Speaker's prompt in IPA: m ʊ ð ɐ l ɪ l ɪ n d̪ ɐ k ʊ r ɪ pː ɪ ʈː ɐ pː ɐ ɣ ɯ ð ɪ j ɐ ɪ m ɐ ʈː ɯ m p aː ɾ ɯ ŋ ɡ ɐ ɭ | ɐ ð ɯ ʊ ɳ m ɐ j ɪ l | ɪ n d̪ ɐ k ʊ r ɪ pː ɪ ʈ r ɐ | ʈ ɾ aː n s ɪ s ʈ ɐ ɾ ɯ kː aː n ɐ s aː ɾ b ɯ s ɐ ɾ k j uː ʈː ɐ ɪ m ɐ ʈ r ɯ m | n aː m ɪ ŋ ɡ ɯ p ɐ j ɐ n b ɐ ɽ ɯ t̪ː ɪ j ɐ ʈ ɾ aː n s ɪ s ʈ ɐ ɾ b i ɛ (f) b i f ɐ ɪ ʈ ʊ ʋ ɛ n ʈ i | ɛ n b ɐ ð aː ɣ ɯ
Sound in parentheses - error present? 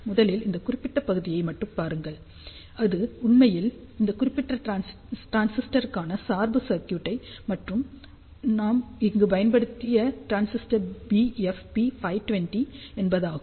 no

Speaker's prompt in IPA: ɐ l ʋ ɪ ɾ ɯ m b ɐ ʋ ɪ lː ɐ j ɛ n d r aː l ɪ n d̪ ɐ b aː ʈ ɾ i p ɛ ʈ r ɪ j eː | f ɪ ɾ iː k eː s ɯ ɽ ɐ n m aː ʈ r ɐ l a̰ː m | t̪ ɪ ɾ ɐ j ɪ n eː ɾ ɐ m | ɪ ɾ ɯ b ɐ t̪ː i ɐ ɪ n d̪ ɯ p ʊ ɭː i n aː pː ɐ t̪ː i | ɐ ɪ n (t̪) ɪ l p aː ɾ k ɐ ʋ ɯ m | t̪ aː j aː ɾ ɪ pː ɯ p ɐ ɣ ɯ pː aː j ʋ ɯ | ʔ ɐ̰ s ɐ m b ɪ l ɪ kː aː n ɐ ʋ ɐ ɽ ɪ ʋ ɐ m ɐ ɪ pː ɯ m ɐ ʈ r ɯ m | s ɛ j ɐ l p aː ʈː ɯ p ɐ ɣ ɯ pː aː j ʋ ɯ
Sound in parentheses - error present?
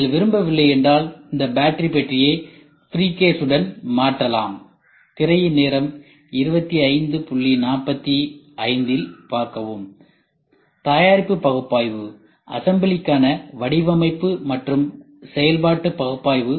yes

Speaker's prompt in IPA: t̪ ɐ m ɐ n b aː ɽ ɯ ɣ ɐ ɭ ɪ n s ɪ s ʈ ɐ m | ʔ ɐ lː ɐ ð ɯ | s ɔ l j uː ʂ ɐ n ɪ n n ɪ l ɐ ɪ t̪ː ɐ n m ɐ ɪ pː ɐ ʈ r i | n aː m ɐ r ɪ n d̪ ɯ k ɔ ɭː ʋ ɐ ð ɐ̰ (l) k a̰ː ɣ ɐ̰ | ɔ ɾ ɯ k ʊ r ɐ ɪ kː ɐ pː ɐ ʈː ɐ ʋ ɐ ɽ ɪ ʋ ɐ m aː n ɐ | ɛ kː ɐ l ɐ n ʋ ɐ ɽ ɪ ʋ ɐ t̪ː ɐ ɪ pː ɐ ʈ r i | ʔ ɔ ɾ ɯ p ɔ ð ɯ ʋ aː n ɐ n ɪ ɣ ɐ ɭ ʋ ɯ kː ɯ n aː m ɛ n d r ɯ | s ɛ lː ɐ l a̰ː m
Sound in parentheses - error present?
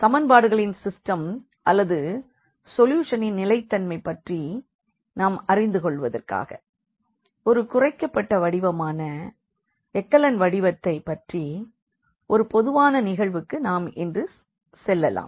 yes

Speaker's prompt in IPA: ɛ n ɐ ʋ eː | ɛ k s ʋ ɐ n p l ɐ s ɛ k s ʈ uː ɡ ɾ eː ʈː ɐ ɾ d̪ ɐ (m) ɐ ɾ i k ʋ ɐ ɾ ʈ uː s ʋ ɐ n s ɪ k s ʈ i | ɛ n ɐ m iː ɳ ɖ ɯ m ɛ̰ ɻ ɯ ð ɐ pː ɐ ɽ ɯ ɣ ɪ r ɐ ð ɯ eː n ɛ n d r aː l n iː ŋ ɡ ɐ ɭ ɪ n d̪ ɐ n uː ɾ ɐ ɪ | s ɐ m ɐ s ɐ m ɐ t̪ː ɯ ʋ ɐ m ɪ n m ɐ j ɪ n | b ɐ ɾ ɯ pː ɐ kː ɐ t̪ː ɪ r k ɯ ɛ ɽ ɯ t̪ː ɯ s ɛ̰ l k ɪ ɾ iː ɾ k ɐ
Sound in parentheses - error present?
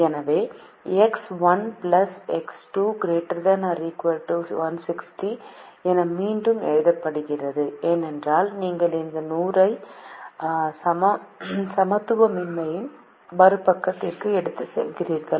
yes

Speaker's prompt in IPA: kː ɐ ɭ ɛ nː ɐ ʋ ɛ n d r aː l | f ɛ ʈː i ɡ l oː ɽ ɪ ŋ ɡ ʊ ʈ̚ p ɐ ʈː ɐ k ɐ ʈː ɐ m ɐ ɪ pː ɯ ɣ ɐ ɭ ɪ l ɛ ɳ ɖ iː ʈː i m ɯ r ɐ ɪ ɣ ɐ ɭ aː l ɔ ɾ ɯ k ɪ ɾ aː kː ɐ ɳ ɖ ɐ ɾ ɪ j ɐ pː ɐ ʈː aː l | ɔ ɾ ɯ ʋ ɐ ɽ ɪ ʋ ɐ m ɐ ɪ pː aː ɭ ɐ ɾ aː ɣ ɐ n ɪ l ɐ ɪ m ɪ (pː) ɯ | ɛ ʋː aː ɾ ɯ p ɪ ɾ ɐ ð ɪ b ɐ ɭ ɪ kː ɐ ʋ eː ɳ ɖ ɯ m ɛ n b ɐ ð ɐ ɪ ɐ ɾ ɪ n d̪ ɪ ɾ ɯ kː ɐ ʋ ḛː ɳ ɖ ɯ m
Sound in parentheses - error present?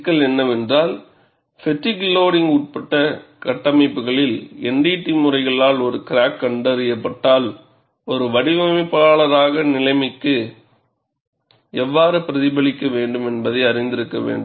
yes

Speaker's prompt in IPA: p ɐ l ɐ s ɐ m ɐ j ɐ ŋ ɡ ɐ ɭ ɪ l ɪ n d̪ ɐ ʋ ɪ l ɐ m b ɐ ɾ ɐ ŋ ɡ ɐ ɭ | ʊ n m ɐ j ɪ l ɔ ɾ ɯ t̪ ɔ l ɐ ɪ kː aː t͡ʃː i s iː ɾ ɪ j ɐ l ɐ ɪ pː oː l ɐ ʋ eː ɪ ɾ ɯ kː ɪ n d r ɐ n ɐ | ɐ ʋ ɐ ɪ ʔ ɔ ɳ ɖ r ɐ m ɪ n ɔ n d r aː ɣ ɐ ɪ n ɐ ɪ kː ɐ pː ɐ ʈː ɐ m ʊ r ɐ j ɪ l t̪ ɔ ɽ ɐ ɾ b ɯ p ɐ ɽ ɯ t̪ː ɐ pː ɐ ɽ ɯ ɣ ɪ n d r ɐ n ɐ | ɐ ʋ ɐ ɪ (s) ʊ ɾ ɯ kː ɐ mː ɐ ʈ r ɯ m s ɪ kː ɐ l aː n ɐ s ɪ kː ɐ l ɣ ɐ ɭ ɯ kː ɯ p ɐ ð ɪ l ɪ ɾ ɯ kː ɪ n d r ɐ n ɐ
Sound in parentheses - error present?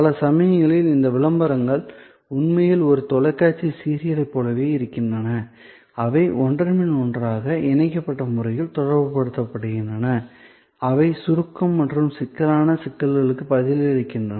no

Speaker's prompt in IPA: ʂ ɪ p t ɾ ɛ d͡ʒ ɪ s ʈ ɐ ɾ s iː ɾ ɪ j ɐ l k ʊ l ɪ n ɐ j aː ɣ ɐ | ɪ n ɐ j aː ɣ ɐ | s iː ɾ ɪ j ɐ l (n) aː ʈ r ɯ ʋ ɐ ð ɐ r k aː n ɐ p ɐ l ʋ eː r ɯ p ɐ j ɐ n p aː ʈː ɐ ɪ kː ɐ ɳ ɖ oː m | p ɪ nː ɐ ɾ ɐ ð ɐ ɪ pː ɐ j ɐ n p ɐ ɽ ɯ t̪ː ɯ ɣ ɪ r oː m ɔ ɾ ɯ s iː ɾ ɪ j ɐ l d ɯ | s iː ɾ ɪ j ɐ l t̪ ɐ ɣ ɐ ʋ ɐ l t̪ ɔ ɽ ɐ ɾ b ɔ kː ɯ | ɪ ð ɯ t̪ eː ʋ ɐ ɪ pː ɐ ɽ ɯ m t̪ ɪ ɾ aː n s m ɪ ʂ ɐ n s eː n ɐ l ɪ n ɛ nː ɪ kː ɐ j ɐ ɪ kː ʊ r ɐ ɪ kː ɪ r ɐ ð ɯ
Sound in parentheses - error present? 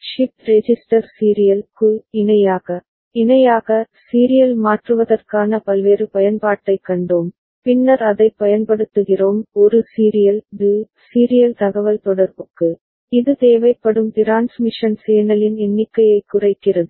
yes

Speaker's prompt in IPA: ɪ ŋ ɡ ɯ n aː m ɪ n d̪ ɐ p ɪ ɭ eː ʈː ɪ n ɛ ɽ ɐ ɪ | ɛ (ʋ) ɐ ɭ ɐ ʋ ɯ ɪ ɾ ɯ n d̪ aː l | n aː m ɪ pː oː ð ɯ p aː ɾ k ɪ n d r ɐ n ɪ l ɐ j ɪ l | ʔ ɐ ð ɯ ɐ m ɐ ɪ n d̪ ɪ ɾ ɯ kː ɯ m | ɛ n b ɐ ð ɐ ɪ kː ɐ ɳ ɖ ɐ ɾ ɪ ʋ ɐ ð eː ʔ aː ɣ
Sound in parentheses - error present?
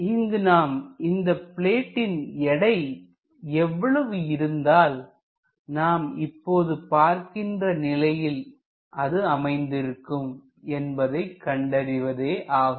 yes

